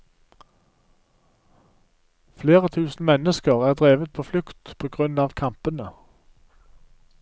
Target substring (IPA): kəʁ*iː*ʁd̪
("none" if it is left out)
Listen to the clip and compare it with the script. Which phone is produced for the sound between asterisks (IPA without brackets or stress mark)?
æː